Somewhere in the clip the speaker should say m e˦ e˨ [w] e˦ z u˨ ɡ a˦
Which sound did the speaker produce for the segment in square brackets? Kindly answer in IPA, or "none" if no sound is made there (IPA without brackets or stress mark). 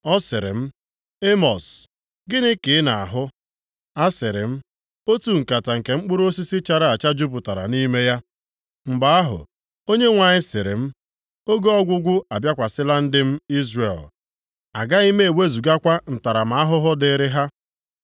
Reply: w